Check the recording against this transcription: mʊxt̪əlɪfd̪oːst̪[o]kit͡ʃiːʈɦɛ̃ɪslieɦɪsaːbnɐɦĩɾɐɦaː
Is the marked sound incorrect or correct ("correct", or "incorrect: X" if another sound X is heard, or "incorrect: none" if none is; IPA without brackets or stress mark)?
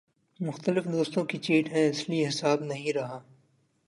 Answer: incorrect: õ